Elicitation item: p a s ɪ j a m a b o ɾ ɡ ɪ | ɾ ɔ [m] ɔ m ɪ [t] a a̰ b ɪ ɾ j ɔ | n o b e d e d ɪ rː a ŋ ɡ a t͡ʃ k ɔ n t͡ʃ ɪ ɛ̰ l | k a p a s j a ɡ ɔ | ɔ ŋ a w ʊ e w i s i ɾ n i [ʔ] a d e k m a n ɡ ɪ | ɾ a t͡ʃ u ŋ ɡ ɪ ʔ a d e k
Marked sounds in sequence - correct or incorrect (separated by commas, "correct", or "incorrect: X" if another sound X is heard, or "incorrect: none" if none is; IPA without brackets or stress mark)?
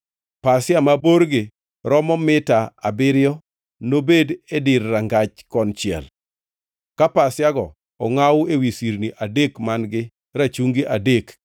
correct, correct, correct